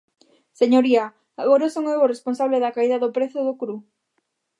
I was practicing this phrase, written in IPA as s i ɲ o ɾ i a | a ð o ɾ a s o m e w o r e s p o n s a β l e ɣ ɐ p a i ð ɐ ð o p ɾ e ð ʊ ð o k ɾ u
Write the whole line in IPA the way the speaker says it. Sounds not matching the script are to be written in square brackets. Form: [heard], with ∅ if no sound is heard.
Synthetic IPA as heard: s [e] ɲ o ɾ i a | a [ɣ] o ɾ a s o [ŋ] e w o r e s p o n s a β l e [ð] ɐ [k] a i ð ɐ ð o p ɾ e [θ] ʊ ð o k ɾ u